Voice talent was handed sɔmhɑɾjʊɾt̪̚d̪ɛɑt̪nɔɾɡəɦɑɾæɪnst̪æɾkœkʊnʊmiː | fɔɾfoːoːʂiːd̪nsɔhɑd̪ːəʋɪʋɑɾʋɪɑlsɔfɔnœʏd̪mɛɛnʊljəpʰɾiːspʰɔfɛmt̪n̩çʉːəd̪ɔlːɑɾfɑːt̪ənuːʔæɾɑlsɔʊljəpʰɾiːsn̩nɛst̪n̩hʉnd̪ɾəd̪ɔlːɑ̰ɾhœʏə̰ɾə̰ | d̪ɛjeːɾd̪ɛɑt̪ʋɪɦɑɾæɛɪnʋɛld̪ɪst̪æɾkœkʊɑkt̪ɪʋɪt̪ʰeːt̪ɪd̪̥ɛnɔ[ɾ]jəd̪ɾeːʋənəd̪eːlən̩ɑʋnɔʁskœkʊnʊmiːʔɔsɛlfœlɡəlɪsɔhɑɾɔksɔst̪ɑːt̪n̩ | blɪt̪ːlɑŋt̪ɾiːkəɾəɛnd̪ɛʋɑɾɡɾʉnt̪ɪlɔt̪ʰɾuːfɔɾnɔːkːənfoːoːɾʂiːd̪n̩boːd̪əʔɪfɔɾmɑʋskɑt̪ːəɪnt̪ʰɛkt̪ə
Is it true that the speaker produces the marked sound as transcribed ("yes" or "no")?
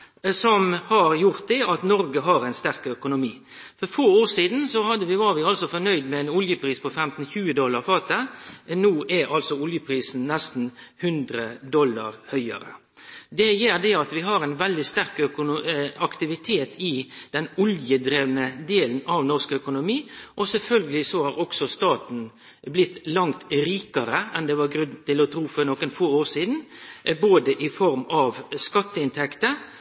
no